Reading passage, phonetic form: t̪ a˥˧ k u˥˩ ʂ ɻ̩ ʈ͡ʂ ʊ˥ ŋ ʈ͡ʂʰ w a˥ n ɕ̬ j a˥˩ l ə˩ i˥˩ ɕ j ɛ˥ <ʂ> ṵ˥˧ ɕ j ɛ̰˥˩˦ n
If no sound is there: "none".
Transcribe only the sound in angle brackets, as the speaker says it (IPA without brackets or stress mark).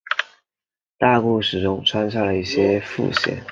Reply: f